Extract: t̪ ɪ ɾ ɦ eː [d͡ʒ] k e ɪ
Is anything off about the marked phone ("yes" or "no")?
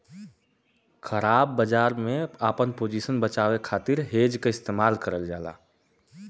no